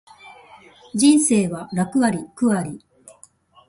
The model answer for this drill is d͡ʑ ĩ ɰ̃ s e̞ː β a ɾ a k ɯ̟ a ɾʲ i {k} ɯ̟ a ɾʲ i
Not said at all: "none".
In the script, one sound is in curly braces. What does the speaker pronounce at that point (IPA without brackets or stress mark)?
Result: k